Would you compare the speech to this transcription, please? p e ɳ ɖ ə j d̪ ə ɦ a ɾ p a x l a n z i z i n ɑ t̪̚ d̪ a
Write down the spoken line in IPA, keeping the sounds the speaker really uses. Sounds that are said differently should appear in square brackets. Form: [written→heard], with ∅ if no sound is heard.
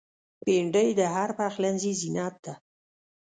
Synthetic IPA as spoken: p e ɳ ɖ ə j d̪ ə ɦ a ɾ p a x l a n z i z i n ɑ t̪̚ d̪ a